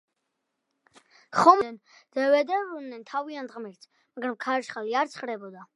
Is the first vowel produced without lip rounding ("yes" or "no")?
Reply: no